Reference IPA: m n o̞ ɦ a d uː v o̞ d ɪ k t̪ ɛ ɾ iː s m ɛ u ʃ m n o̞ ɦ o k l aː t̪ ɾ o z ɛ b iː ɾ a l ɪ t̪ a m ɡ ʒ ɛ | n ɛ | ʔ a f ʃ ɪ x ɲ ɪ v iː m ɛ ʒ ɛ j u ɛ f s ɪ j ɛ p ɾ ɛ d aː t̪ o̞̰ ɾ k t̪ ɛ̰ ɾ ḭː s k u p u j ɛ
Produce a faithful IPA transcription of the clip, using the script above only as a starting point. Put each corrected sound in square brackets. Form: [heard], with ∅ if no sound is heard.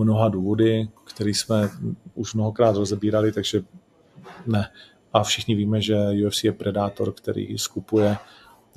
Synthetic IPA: m n o̞ ɦ a d uː v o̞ d ɪ k t̪ ɛ ɾ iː s m ɛ u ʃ m n o̞ ɦ o k [ɾ] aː t̪ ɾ o z ɛ b iː ɾ a l ɪ t̪ a [∅] ɡ ʒ ɛ | n ɛ | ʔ a f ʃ ɪ x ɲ ɪ v iː m ɛ ʒ ɛ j u ɛ f s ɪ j ɛ p ɾ ɛ d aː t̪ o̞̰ ɾ k t̪ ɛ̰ ɾ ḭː s k u p u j ɛ